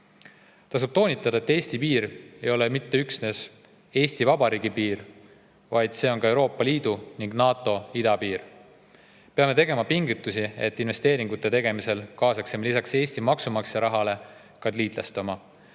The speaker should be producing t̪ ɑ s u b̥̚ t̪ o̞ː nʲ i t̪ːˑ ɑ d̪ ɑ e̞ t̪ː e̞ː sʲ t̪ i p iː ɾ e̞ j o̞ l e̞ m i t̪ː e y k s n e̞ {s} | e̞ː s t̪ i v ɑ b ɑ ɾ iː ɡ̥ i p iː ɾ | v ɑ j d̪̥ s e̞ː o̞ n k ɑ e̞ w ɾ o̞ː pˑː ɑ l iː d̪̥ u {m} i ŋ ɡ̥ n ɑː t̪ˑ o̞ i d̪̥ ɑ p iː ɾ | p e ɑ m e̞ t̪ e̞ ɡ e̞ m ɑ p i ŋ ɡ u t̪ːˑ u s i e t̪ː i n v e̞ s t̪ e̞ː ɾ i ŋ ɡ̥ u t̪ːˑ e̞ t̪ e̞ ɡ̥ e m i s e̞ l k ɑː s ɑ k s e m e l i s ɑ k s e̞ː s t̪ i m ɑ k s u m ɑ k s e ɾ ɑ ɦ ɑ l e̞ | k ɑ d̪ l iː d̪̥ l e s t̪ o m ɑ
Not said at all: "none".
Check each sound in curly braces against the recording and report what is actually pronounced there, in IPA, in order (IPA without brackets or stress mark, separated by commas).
s, n